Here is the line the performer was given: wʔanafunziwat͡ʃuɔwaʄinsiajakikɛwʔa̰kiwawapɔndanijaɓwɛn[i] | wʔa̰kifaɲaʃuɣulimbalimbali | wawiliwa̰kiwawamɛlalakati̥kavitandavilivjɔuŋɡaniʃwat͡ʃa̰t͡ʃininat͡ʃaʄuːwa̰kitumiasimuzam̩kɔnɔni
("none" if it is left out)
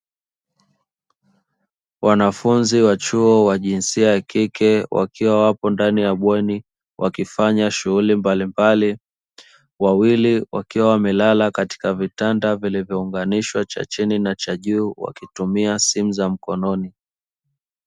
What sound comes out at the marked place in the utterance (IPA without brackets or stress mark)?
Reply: i